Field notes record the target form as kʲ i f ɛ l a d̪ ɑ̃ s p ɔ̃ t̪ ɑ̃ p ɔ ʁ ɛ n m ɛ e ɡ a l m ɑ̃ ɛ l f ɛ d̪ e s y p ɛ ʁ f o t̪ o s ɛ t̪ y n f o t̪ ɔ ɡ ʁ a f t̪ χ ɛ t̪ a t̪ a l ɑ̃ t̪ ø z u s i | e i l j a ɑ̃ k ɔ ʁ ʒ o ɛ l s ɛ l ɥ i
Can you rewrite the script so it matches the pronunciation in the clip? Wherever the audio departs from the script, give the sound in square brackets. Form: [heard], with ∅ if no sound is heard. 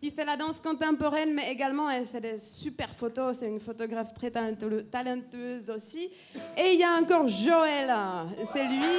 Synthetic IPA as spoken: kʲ i f ɛ l a d̪ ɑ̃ s [k] ɔ̃ t̪ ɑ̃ p ɔ ʁ ɛ n m ɛ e ɡ a l m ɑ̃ ɛ l f ɛ d̪ e s y p ɛ ʁ f o t̪ o s ɛ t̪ y n f o t̪ ɔ ɡ ʁ a f t̪ χ ɛ t̪ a t̪ a l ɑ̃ t̪ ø z [o] s i | e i l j a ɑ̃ k ɔ ʁ ʒ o ɛ l s ɛ l ɥ i